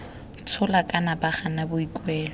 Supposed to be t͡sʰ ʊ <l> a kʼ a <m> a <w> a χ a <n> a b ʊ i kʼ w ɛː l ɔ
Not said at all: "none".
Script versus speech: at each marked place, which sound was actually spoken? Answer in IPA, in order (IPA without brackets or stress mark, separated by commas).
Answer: l, n, b, n